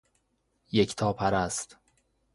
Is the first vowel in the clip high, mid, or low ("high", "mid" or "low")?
mid